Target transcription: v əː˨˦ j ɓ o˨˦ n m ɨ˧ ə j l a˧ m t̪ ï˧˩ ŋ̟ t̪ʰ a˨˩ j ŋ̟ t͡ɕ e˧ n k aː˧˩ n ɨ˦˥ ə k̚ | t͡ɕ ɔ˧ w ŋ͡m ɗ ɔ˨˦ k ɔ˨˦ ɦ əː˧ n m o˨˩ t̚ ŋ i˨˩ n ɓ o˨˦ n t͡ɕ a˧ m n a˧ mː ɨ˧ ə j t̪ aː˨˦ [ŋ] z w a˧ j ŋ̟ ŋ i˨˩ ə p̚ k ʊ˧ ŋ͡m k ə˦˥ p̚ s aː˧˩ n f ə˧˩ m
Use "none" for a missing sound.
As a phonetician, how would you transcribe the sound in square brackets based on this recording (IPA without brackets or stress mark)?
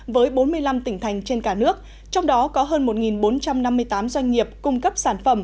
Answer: m